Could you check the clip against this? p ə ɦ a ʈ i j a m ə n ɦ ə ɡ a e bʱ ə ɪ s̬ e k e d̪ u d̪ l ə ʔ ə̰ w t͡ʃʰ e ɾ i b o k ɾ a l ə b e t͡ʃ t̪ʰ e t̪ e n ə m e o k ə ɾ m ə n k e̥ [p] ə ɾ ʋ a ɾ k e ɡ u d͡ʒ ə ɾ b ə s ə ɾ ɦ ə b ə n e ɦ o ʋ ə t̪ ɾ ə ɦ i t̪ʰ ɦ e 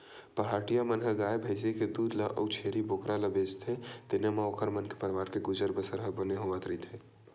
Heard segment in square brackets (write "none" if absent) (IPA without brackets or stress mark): p